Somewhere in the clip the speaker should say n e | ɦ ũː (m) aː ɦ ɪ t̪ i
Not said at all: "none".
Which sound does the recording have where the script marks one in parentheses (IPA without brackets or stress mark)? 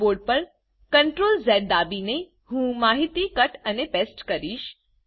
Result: m